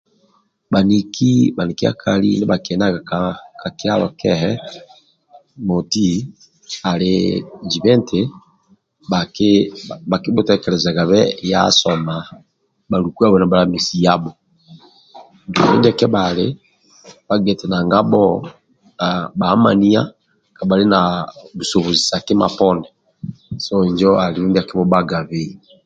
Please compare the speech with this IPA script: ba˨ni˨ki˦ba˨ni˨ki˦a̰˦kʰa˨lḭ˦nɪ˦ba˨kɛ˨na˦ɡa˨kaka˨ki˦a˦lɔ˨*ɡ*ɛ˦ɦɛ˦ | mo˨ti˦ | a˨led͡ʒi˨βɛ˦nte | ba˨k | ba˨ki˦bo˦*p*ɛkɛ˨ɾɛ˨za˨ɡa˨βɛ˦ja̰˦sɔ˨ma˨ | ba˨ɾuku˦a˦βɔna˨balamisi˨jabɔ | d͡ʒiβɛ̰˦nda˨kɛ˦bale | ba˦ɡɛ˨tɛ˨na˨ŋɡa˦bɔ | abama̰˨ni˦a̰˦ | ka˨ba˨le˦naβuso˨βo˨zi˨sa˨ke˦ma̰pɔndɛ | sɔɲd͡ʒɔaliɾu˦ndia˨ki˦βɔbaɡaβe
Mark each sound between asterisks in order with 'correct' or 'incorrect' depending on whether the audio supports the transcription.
incorrect: k, incorrect: t

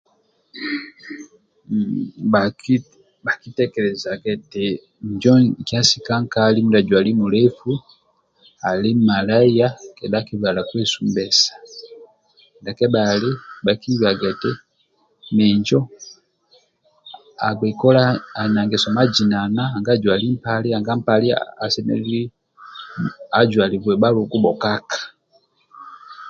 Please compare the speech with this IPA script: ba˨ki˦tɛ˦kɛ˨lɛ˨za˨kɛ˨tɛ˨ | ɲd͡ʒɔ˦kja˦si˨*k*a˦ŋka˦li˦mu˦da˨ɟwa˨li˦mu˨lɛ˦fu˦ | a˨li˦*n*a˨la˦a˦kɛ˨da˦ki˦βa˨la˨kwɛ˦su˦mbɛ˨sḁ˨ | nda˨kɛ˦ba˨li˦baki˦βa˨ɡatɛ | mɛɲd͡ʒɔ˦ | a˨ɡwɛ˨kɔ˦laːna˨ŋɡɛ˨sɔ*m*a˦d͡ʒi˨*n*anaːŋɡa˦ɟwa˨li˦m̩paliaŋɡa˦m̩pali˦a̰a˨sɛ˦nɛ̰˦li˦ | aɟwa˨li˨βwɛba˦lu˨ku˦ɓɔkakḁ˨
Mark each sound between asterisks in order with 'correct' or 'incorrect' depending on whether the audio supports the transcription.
correct, incorrect: m, correct, correct

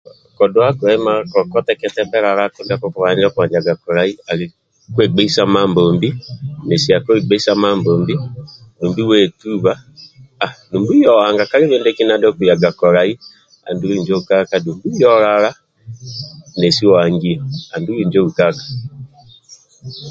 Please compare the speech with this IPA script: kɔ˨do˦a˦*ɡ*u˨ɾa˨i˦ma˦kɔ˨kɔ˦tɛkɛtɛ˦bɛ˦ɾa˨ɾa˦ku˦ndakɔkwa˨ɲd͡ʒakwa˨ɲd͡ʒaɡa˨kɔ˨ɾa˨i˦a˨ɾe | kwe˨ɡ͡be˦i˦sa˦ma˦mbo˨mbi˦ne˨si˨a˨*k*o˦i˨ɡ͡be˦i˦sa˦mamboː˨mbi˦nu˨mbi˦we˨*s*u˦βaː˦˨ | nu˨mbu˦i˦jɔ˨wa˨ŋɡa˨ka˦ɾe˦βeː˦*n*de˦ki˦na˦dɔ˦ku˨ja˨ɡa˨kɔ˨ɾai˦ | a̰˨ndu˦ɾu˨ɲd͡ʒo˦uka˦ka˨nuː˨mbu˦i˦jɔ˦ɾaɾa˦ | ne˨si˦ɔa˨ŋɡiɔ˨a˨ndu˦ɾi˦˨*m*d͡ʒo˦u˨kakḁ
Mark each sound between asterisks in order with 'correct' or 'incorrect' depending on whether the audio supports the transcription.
incorrect: k, correct, incorrect: t, correct, incorrect: ɲ

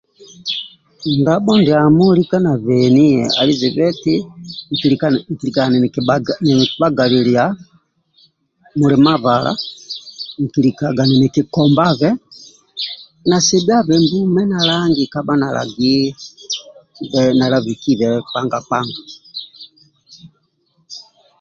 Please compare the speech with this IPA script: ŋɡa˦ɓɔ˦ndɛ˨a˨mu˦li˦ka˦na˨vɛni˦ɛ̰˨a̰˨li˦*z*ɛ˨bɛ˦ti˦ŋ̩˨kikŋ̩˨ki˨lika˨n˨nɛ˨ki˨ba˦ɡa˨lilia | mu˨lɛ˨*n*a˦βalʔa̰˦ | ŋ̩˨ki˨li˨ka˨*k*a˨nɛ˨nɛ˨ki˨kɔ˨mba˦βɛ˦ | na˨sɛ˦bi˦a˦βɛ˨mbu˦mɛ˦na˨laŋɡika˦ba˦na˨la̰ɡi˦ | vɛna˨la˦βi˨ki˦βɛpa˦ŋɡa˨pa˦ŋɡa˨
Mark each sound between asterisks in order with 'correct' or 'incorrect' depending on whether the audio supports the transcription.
correct, incorrect: m, incorrect: ɡ

